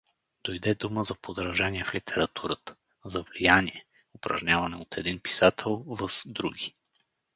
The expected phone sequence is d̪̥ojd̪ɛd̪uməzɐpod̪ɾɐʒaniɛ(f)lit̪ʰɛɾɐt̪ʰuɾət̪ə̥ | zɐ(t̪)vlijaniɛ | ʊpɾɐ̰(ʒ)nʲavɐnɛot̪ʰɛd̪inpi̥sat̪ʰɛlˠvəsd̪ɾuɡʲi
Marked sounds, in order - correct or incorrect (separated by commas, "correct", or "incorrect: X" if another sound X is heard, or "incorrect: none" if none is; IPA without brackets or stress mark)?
correct, incorrect: none, correct